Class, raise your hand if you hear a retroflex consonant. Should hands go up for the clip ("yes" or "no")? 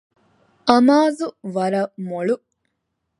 yes